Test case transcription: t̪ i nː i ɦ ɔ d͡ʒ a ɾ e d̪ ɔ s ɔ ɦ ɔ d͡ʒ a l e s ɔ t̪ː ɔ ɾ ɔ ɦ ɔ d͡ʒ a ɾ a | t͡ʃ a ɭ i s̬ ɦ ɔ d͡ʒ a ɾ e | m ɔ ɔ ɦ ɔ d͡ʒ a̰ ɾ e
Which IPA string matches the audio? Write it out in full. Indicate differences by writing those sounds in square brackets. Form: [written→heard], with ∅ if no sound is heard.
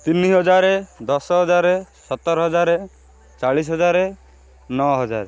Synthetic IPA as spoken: t̪ i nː i ɦ ɔ d͡ʒ a ɾ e d̪ ɔ s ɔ ɦ ɔ d͡ʒ a [l→ɾ] e s ɔ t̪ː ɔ ɾ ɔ ɦ ɔ d͡ʒ a ɾ [a→e] | t͡ʃ a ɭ i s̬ ɦ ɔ d͡ʒ a ɾ e | [m→n] ɔ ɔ ɦ ɔ d͡ʒ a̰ ɾ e